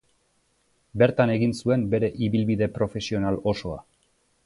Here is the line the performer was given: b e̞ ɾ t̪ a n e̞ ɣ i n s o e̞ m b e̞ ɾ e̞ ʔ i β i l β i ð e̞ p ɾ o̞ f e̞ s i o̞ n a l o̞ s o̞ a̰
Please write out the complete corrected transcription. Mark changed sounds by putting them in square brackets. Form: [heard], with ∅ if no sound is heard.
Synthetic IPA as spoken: b e̞ ɾ t̪ a n e̞ ɣ i n s [u] e̞ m b e̞ ɾ e̞ ʔ i β i l β i ð e̞ p ɾ o̞ f e̞ s i o̞ n a l o̞ s o̞ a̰